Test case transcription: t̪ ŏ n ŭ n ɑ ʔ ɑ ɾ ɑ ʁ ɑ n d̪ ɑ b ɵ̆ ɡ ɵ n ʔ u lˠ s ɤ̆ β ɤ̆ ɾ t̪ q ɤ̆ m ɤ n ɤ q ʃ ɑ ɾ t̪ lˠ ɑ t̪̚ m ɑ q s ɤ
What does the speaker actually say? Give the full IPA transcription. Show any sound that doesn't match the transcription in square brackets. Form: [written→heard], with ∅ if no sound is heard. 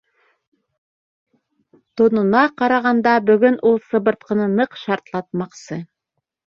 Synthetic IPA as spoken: t̪ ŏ n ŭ n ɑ [ʔ→q] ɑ ɾ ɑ ʁ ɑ n d̪ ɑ b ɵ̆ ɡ ɵ n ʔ u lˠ s ɤ̆ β ɤ̆ ɾ t̪ q ɤ̆ [m→n] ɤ n ɤ q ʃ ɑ ɾ t̪ lˠ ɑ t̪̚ m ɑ q s ɤ

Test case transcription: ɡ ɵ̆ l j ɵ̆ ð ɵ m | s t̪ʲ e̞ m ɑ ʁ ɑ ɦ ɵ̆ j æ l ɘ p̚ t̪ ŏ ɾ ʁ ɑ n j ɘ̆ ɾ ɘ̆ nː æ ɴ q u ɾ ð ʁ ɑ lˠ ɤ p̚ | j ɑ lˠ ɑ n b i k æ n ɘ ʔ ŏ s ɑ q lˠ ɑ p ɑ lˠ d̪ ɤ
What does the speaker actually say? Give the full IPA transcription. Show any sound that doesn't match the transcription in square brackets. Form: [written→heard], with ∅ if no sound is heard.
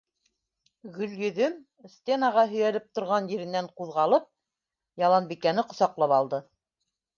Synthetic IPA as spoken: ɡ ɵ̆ l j ɵ̆ ð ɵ m | s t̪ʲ e̞ [m→n] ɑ ʁ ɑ ɦ ɵ̆ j æ l ɘ p̚ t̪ ŏ ɾ ʁ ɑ n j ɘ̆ ɾ ɘ̆ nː æ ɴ q u [ɾ→∅] ð ʁ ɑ lˠ ɤ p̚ | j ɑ lˠ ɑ n b i k æ n ɘ [ʔ→q] ŏ s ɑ q lˠ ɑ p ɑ lˠ d̪ ɤ

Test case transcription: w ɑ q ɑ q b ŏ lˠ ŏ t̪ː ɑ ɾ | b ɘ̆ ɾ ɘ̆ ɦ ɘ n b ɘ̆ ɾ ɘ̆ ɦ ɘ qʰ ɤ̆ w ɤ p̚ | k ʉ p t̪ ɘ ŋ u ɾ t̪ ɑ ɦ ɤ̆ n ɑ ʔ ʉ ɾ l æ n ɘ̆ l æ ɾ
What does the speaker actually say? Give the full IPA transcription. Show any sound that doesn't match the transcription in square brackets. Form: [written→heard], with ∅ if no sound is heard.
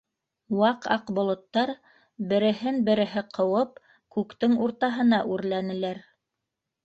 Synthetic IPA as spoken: w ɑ q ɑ q b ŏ lˠ ŏ t̪ː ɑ ɾ | b ɘ̆ ɾ ɘ̆ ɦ ɘ n b ɘ̆ ɾ ɘ̆ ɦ ɘ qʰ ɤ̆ w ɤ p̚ | k ʉ [p→k] t̪ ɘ ŋ u ɾ t̪ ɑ ɦ ɤ̆ n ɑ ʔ ʉ ɾ l æ n ɘ̆ l æ ɾ

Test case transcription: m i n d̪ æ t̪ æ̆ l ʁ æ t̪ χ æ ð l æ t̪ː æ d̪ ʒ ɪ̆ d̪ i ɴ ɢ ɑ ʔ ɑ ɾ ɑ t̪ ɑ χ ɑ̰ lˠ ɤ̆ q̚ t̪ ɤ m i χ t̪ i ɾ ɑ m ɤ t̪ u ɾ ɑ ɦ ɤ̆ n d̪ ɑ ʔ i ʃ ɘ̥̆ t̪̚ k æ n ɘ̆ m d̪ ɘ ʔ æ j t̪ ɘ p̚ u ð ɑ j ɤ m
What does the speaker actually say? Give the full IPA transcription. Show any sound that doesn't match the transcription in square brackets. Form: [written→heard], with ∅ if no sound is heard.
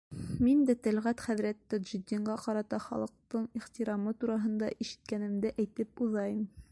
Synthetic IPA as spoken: m i n d̪ æ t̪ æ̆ l ʁ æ t̪ χ æ ð [l→ɾ] æ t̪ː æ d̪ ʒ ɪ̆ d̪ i ɴ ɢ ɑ [ʔ→q] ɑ ɾ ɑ t̪ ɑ χ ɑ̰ lˠ ɤ̆ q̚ t̪ ɤ [m→ɴ] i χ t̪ i ɾ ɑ m ɤ t̪ u ɾ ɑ ɦ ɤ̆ n d̪ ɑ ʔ i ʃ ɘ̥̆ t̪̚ k æ n ɘ̆ m d̪ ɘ ʔ æ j t̪ ɘ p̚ u ð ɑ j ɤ m

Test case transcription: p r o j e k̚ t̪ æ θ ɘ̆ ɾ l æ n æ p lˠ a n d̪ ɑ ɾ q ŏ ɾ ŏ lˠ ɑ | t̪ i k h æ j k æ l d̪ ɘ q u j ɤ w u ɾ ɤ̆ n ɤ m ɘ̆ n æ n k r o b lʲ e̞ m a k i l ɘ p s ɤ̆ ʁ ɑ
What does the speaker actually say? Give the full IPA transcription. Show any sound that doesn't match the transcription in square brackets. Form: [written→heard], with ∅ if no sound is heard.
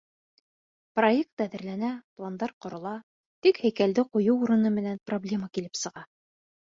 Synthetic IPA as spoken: p r o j e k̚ t̪ æ [θ→ð] ɘ̆ ɾ l æ n æ p lˠ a n d̪ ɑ ɾ q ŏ ɾ ŏ lˠ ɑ | t̪ i k h æ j k æ l d̪ ɘ q u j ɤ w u ɾ ɤ̆ n ɤ m ɘ̆ n æ n [k→p] r o b lʲ e̞ m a k i l ɘ p s ɤ̆ ʁ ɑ

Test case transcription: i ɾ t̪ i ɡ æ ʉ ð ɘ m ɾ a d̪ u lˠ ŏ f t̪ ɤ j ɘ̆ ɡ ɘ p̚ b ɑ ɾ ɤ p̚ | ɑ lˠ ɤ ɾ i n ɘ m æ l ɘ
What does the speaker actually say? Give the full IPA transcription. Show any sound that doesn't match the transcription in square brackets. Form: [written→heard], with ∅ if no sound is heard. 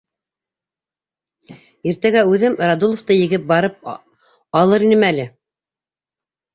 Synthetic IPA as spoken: i ɾ t̪ [i→æ] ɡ æ ʉ ð ɘ m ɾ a d̪ u lˠ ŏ f t̪ ɤ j ɘ̆ ɡ ɘ p̚ b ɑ ɾ ɤ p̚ | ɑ lˠ ɤ ɾ i n ɘ m æ l ɘ

